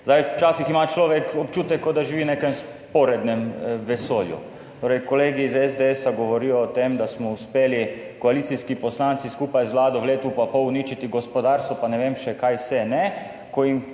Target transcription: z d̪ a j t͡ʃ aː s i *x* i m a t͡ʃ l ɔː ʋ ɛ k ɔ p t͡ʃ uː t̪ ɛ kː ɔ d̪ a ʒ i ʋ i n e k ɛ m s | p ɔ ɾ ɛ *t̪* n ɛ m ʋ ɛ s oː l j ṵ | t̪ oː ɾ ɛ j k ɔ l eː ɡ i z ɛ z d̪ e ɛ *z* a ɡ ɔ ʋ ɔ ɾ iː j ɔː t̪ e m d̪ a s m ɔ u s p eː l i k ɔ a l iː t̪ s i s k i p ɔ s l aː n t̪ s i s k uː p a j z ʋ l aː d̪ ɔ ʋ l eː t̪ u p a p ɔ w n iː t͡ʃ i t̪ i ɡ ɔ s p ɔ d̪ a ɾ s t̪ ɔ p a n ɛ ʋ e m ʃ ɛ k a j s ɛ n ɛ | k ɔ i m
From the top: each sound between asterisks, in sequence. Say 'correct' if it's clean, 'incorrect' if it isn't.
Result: correct, incorrect: d̪, incorrect: s

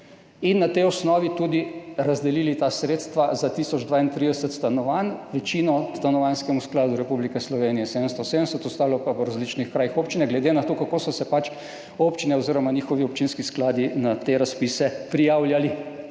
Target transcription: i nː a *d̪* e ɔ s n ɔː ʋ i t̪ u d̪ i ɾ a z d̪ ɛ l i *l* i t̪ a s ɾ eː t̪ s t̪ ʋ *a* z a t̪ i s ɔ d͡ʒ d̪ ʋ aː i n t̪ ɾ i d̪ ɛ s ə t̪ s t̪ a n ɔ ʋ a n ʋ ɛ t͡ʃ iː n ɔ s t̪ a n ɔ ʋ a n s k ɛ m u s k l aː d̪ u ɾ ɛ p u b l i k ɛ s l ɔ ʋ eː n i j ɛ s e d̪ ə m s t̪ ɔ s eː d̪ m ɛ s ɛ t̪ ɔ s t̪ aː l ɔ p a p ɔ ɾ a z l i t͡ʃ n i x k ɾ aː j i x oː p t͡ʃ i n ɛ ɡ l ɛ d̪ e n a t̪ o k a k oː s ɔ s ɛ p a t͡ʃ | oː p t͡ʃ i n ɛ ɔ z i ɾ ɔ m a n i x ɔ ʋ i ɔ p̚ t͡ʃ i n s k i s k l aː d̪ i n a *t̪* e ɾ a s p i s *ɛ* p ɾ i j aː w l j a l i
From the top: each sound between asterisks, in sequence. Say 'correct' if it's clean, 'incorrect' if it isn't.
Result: incorrect: t̪, correct, correct, correct, correct

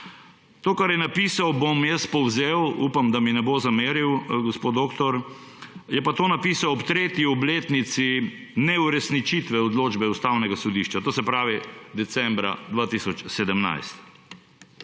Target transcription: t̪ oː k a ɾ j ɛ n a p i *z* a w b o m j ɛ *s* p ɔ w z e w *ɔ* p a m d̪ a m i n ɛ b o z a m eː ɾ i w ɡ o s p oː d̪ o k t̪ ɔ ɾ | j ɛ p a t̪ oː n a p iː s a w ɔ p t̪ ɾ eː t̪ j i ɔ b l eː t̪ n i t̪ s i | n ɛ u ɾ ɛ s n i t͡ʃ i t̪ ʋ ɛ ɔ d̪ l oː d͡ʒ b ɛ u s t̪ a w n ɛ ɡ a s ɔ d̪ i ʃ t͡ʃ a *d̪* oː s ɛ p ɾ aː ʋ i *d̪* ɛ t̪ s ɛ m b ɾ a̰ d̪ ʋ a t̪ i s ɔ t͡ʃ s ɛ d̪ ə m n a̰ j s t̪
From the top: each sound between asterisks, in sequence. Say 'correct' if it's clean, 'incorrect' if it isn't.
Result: incorrect: s, correct, incorrect: u, incorrect: t̪, correct

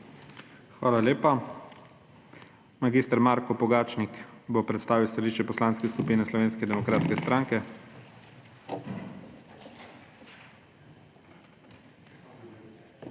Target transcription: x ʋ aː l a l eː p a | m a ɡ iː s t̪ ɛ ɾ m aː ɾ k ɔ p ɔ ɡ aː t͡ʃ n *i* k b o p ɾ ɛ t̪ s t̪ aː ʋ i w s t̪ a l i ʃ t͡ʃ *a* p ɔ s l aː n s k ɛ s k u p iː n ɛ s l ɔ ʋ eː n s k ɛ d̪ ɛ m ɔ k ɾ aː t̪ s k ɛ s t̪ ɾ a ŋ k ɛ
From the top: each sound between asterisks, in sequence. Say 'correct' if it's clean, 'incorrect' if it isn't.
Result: correct, incorrect: ɛ

